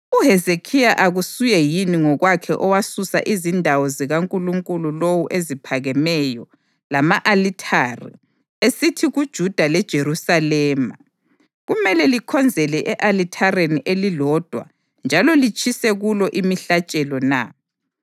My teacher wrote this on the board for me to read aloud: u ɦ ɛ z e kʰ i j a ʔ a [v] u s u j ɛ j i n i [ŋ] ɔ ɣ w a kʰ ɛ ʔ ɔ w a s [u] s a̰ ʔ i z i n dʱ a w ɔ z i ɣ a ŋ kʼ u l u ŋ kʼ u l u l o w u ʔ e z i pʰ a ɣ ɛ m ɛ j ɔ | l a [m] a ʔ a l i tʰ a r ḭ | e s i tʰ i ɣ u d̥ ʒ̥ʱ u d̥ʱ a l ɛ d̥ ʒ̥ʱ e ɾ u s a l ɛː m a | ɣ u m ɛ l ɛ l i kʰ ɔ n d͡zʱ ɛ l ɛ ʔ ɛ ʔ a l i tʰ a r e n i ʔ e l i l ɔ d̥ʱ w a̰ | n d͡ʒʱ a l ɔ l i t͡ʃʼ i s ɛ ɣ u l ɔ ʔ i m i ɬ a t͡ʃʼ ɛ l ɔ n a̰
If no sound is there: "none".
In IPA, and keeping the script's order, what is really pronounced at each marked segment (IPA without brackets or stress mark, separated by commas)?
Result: ɣ, ŋ, u, m